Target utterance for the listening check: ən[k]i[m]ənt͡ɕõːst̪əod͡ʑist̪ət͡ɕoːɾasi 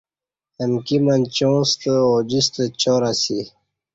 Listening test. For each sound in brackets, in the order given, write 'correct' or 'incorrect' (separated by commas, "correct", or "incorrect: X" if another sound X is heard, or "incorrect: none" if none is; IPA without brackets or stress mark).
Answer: correct, correct